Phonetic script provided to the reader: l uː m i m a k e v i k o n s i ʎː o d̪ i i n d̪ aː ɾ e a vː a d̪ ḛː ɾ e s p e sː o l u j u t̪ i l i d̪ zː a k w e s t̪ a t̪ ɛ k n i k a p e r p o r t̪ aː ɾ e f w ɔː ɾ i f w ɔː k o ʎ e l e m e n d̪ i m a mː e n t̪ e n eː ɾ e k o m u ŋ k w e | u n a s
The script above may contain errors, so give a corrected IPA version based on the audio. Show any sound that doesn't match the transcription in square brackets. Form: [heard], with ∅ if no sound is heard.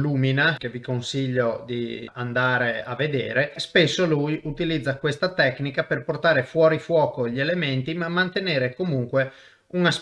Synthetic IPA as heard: l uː m i [n] a k e v i k o n s i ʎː o d̪ i [a] n d̪ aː ɾ e a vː [e] d̪ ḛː ɾ e s p e sː o l u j u t̪ i l i d̪ zː a k w e s t̪ a t̪ ɛ k n i k a p e r p o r t̪ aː ɾ e f w ɔː ɾ i f w ɔː k o ʎ e l e m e n [t̪] i m a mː [a] n t̪ e n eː ɾ e k o m u ŋ k w e | u n a s